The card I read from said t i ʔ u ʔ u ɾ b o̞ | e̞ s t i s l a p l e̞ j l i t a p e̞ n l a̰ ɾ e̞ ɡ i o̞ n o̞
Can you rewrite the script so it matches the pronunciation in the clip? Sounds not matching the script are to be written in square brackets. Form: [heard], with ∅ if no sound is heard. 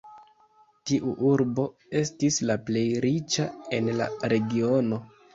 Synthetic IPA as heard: t i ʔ u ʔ u ɾ b o̞ | e̞ s t i s l a p l e̞ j [ɾ] i [t͡ʃ] a [∅] e̞ n l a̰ ɾ e̞ ɡ i o̞ n o̞